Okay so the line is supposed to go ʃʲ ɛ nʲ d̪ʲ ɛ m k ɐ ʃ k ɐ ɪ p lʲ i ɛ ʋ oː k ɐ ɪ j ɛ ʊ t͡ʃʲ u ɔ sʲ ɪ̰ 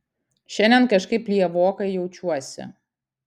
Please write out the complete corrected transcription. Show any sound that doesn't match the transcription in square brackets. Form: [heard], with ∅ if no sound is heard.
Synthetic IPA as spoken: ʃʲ ɛ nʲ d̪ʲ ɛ [n] k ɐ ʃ k ɐ ɪ p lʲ i ɛ ʋ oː k ɐ ɪ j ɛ ʊ t͡ʃʲ u ɔ sʲ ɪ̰